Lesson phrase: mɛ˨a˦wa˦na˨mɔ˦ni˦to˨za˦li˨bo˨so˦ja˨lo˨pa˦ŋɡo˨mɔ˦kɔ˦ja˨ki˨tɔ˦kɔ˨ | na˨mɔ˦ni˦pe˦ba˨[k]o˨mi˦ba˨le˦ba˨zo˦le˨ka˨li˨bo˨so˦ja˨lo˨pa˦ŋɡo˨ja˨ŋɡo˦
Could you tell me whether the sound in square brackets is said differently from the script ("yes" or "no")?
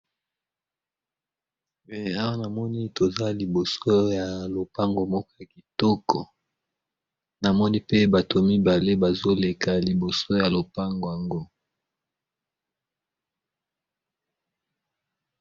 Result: yes